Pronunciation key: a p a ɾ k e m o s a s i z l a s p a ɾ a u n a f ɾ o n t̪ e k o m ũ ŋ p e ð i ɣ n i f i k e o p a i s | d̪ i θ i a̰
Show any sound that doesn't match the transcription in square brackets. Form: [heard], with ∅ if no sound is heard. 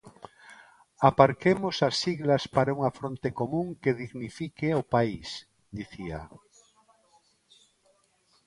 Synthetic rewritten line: a p a ɾ k e m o s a s i [ɣ] l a s p a ɾ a u [ŋ] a f ɾ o n t̪ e k o m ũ ŋ [k] e ð i ɣ n i f i k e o p a i s | d̪ i θ i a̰

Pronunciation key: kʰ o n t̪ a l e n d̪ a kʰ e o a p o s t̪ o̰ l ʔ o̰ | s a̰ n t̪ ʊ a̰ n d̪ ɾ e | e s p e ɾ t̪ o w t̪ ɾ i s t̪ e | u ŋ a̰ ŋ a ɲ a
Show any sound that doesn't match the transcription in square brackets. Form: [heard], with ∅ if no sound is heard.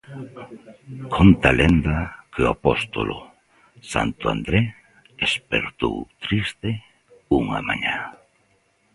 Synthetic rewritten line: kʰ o n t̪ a l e n d̪ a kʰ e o a p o s t̪ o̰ l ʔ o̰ | s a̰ n t̪ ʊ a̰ n d̪ ɾ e | e s p e ɾ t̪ o w t̪ ɾ i s t̪ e | u ŋ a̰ [m] a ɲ a

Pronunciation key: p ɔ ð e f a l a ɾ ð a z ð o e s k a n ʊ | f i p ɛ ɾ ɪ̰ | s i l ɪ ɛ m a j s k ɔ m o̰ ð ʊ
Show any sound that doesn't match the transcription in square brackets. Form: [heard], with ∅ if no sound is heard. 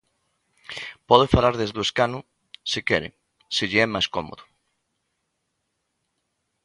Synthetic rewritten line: p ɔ ð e f a l a ɾ ð [e] z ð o e s k a n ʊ | [s] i [k] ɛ ɾ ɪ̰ | s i [ʎ] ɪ ɛ m a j s k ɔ m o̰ ð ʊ

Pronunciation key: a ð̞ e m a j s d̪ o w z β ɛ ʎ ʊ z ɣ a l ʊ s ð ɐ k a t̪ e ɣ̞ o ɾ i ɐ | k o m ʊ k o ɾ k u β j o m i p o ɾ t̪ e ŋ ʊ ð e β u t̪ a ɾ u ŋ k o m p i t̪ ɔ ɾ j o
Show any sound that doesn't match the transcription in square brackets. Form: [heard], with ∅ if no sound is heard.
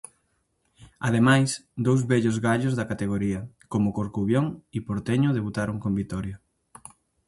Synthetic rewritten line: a ð̞ e m a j s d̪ o w z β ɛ ʎ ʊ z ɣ a [ʎ] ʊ [z] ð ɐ k a t̪ e ɣ̞ o ɾ i ɐ | k o m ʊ k o ɾ k u β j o [ŋ] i p o ɾ t̪ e [ɲ] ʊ ð e β u t̪ a ɾ u ŋ k o m [b] i t̪ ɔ ɾ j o

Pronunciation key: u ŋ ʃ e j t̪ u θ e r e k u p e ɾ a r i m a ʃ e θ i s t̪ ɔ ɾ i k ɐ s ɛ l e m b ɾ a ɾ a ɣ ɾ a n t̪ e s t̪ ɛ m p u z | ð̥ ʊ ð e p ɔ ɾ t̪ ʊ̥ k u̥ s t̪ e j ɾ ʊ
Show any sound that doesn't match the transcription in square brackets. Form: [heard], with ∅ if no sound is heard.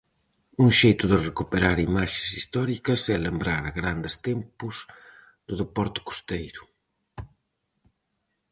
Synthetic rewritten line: u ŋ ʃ e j t̪ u [ð] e r e k u p e ɾ a [ɾ] i m a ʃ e [s] i s t̪ ɔ ɾ i k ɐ s ɛ l e m b ɾ a ɾ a ɣ ɾ a n [d̪] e s t̪ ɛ m p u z | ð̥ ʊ ð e p ɔ ɾ t̪ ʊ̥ k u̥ s t̪ e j ɾ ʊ

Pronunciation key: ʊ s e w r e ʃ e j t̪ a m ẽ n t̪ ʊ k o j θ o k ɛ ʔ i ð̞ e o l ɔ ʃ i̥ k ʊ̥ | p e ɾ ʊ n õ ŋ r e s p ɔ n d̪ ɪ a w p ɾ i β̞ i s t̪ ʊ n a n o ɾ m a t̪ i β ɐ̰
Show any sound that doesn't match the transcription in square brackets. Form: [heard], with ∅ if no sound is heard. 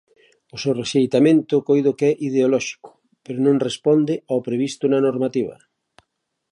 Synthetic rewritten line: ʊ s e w r e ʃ e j t̪ a m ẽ n t̪ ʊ k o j [ð] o k ɛ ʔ i ð̞ e o l ɔ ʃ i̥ k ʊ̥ | p e ɾ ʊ n õ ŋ r e s p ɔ n d̪ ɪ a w p ɾ [e] β̞ i s t̪ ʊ n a n o ɾ m a t̪ i β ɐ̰

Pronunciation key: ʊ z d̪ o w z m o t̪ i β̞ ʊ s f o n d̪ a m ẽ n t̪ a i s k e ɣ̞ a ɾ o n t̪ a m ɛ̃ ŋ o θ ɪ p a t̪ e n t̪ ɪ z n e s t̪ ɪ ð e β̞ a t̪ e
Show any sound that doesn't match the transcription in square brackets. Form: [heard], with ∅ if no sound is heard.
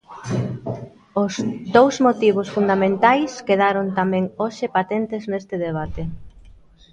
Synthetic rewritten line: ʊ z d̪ o w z m o t̪ i β̞ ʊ s f [u] n d̪ a m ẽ n t̪ a [j] s k e [ð̞] a ɾ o n t̪ a m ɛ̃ ŋ o [ʃ] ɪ p a t̪ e n t̪ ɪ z n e s t̪ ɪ ð e β̞ a t̪ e

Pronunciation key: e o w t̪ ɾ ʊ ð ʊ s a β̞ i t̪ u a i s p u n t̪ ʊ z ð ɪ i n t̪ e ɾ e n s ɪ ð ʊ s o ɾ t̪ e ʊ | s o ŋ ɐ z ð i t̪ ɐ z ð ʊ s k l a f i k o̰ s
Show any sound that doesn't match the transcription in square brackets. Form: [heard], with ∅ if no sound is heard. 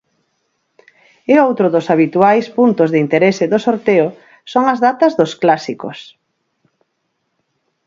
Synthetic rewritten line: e o w t̪ ɾ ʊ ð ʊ s a β̞ i t̪ u a [j] s p u n t̪ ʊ z ð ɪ i n t̪ e ɾ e [∅] s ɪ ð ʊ s o ɾ t̪ e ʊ | s o ŋ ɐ z ð [a] t̪ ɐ z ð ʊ s k l a [s] i k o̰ s

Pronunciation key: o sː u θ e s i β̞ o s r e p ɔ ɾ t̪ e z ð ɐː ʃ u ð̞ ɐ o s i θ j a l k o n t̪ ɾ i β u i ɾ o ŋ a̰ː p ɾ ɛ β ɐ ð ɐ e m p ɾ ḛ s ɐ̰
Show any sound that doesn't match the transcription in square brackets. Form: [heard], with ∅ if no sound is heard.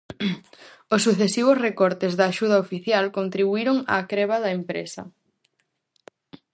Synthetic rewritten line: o sː u θ e s i β̞ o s r e [k] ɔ ɾ t̪ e z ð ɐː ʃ u ð̞ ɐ o [f] i θ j a l k o n t̪ ɾ i β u i ɾ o ŋ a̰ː [k] ɾ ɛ β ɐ ð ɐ e m p ɾ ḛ s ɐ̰

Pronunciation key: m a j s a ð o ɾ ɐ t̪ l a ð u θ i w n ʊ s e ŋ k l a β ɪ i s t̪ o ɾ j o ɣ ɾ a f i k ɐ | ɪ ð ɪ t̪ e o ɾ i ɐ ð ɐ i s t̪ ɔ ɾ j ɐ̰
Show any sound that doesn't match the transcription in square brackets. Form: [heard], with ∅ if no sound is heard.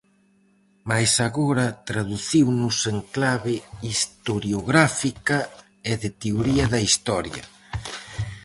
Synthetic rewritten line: m a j s a [ɣ] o ɾ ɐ t̪ [ɾ] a ð u θ i w n ʊ s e ŋ k l a β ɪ i s t̪ o ɾ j o ɣ ɾ a f i k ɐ | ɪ ð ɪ t̪ e o ɾ i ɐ ð ɐ i s t̪ ɔ ɾ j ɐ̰

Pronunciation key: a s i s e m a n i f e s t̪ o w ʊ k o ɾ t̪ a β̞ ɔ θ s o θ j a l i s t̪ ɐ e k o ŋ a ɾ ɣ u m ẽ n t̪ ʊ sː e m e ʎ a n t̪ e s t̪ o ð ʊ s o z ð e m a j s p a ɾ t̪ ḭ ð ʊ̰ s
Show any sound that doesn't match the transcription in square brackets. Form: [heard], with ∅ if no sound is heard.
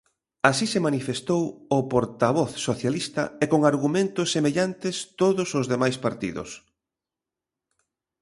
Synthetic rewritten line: a s i s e m a n i f e s t̪ o w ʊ [p] o ɾ t̪ a β̞ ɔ θ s o θ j a l i s t̪ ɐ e k o ŋ a ɾ ɣ u m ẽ n t̪ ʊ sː e m e ʎ a n t̪ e s t̪ o ð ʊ s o z ð e m a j s p a ɾ t̪ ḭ ð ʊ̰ s

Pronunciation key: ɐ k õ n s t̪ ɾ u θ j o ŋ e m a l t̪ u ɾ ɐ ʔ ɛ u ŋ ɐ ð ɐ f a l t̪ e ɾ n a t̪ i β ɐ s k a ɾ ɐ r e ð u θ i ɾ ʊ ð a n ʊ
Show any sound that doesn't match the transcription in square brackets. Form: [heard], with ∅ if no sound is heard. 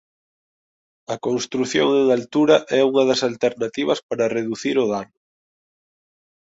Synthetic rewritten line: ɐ k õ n s t̪ ɾ u θ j o ŋ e [ŋ] a l t̪ u ɾ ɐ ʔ ɛ u ŋ ɐ ð ɐ [s] a l t̪ e ɾ n a t̪ i β ɐ s [p] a ɾ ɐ r e ð u θ i ɾ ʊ ð a n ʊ

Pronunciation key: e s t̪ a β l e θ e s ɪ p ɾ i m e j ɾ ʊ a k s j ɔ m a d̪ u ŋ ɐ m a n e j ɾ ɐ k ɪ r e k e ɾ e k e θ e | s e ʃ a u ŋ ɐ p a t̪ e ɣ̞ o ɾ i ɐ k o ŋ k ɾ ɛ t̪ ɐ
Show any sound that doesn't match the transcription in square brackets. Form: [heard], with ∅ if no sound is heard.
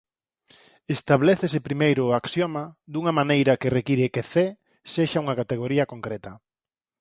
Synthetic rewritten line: e s t̪ a β l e θ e s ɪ p ɾ i m e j ɾ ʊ a k s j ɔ m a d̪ u ŋ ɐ m a n e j ɾ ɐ k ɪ r e k [i] ɾ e k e θ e | s e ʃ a u ŋ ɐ [k] a t̪ e ɣ̞ o ɾ i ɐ k o ŋ k ɾ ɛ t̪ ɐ

